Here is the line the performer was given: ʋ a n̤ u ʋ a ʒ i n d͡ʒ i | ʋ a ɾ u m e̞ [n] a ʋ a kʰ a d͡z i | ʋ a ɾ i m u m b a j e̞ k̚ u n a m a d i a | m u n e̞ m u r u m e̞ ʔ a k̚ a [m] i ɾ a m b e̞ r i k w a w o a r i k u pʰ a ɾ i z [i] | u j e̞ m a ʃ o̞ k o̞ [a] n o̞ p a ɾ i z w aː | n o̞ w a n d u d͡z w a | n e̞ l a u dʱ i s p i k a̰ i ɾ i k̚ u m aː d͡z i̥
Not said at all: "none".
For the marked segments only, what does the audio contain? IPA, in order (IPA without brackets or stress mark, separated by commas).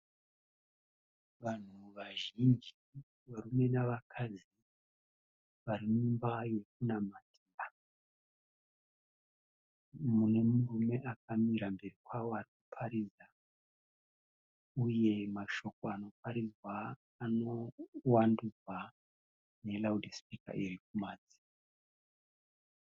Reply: n, m, a, a